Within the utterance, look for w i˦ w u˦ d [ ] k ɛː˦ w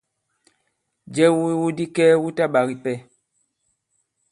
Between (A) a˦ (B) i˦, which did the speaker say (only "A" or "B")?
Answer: B